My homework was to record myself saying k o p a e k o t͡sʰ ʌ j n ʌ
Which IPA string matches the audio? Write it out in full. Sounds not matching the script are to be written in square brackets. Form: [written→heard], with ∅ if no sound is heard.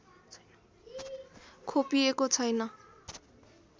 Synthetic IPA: [k→kʰ] o p [a→i] e k o t͡sʰ ʌ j n ʌ

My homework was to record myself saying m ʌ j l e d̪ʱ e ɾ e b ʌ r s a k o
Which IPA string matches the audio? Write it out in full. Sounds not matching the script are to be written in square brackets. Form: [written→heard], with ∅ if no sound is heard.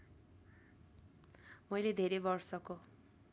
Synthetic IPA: m ʌ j l e d̪ʱ e ɾ e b ʌ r s [a→ʌ] k o

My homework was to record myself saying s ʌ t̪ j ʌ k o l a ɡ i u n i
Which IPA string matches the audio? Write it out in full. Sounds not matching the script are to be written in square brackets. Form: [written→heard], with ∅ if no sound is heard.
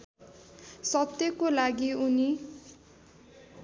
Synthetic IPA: s ʌ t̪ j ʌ k o l a ɡ i u n i

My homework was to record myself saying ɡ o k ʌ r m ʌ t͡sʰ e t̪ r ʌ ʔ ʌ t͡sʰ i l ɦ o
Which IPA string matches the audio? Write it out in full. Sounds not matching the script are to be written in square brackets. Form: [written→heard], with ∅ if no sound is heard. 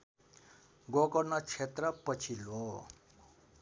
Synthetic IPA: ɡ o k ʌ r [m→n] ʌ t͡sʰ e t̪ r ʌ [ʔ→p] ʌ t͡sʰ i l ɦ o

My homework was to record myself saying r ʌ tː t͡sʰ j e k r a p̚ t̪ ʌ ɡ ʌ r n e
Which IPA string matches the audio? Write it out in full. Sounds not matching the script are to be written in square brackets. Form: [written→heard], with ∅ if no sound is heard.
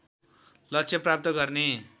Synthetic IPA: [r→l] ʌ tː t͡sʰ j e [k→p] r a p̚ t̪ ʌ ɡ ʌ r n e

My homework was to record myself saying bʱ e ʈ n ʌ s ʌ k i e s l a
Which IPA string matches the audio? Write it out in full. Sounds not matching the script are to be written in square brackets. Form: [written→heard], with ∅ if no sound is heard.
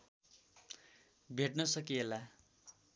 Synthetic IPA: bʱ e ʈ n ʌ s ʌ k i e [s→∅] l a

